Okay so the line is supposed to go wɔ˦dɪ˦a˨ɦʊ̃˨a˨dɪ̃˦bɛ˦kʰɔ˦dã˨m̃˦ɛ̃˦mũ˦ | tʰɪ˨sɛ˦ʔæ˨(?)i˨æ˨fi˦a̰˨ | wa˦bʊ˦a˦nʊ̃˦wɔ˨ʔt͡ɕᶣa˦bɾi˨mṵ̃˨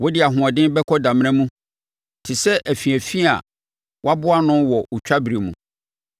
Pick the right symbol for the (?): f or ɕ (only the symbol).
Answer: f